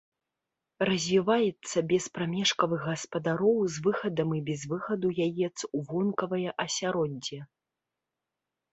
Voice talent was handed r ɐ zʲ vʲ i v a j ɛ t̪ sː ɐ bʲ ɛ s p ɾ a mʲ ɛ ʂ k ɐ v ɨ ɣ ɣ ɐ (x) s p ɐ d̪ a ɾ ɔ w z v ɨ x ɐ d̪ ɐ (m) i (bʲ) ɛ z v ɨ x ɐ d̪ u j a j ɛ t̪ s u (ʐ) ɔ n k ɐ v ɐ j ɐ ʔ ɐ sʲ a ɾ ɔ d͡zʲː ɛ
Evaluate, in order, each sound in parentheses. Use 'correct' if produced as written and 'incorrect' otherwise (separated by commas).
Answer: incorrect, correct, correct, incorrect